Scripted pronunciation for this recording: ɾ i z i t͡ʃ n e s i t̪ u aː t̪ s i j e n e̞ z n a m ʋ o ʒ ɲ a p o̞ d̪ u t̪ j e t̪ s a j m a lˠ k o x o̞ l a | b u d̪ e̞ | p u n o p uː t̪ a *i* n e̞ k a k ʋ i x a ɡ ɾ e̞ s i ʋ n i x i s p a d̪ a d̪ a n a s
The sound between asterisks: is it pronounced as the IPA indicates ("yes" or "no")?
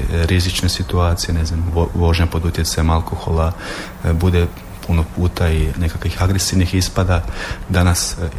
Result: yes